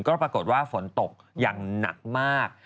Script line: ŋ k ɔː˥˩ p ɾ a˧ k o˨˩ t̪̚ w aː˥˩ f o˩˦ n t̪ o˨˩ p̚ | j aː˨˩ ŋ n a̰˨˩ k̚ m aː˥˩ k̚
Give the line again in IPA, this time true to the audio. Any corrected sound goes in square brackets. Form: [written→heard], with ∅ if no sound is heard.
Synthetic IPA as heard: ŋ k ɔː˥˩ p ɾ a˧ k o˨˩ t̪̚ w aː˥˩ f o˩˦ n t̪ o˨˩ [p̚→k̚] | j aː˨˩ ŋ n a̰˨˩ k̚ m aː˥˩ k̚